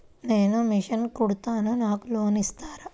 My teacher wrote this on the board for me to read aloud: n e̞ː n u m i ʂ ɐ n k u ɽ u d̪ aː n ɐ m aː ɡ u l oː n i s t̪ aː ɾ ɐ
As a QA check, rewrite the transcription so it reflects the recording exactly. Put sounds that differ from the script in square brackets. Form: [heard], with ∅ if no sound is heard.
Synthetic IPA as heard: n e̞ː n u m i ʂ ɐ n k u ɽ u [t̪] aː n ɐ [n] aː [k] u l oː n i s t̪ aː ɾ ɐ